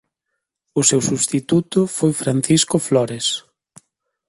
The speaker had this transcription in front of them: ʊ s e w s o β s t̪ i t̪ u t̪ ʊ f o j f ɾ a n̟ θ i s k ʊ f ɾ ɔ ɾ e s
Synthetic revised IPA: ʊ s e w s u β s t̪ i t̪ u t̪ ʊ f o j f ɾ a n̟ θ i s k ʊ f l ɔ ɾ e s

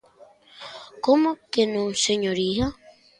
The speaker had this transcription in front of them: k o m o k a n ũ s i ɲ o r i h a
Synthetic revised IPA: k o m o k e n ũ s e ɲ o ɾ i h a

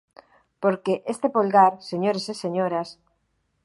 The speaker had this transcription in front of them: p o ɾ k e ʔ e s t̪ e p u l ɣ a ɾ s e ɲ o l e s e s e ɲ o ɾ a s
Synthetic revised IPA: p o ɾ k e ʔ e s t̪ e p o l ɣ a ɾ s e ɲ o ɾ e s e s e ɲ o ɾ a s

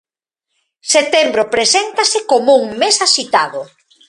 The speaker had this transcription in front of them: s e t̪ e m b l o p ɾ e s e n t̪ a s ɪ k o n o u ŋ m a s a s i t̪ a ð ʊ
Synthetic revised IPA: s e t̪ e m b ɾ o p ɾ e s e n t̪ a s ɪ k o m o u ŋ m e s a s i t̪ a ð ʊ

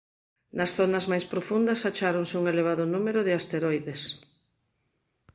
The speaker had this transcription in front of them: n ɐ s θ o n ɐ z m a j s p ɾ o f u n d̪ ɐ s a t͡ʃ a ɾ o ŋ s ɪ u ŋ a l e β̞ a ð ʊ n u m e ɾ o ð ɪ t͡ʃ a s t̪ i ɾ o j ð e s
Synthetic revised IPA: n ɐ s θ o n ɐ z m a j s p ɾ o f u n d̪ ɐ s a t͡ʃ a ɾ o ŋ s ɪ u ŋ e l e β̞ a ð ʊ n u m e ɾ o ð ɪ a s t̪ e ɾ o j ð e s

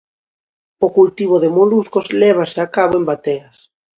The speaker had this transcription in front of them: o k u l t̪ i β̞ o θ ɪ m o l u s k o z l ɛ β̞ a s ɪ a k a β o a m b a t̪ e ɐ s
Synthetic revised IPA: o k u l t̪ i β̞ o ð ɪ m o l u s k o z l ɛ β̞ a s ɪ a k a β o e m b a t̪ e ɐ s

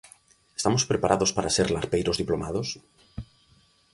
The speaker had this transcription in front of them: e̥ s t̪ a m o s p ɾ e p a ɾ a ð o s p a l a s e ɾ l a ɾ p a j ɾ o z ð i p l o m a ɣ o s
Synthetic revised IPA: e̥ s t̪ a m o s p ɾ e p a ɾ a ð o s p a ɾ a s e ɾ l a ɾ p e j ɾ o z ð i p l o m a ð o s

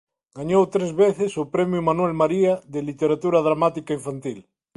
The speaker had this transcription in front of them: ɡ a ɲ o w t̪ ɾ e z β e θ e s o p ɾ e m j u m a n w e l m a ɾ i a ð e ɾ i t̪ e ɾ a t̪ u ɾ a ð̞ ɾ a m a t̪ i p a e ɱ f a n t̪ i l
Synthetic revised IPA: ɡ a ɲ o w t̪ ɾ e z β e θ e s o p ɾ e m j u m a n w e l m a ɾ i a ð e l i t̪ e ɾ a t̪ u ɾ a ð̞ ɾ a m a t̪ i k a i ɱ f a n t̪ i l

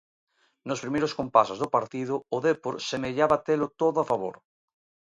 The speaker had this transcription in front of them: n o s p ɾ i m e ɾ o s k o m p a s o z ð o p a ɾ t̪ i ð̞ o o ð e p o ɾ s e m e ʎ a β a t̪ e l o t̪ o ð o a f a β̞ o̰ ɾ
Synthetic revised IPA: n o s p ɾ i m e ɾ o s k o m p a s o z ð o p a ɾ t̪ i ð̞ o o ð e p o ɾ s e m e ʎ a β a t̪ e l o t̪ o ð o a f a β̞ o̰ ɾ

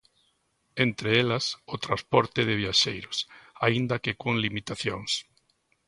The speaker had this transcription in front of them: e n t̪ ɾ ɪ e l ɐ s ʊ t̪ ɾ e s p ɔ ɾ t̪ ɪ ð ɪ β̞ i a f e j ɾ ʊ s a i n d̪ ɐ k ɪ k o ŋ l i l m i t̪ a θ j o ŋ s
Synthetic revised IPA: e n t̪ ɾ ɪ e l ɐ s ʊ t̪ ɾ a s p ɔ ɾ t̪ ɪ ð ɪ β̞ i a ʃ e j ɾ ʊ s a i n d̪ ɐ k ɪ k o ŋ l i m i t̪ a θ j o ŋ s

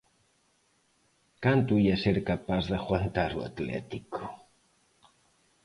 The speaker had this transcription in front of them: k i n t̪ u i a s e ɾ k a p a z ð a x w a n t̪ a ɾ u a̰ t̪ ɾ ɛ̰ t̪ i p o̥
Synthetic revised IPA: k a n t̪ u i a s e ɾ k a p a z ð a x w a n t̪ a ɾ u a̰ t̪ l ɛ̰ t̪ i k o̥

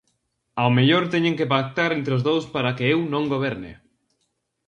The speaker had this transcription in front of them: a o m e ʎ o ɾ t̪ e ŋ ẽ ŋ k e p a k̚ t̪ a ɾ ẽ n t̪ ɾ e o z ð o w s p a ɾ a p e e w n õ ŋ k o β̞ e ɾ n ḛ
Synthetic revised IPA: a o m e ʎ o ɾ t̪ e ɲ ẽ ŋ k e p a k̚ t̪ a ɾ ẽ n t̪ ɾ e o z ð o w s p a ɾ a k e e w n õ ŋ ɡ o β̞ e ɾ n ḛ

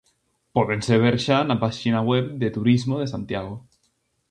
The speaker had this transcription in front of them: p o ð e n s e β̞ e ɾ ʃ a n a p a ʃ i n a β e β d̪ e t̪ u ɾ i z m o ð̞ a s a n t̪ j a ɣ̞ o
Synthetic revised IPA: p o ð e n s e β̞ e ɾ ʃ a n a p a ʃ i n a w e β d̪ e t̪ u ɾ i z m o ð̞ e s a n t̪ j a ɣ̞ o

